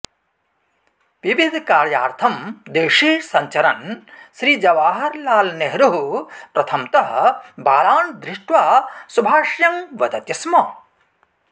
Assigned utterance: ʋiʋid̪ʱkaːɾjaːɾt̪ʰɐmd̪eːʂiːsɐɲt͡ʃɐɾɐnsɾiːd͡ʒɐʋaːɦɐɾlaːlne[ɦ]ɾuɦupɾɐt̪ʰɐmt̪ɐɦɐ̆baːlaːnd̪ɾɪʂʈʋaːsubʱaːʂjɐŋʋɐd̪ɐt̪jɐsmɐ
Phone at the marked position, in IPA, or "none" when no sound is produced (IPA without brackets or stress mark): ɦ